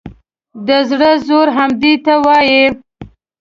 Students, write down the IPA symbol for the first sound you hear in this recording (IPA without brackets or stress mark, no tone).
d̪